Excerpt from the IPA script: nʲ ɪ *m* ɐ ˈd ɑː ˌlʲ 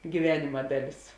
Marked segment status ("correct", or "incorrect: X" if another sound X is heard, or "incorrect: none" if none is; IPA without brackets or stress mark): correct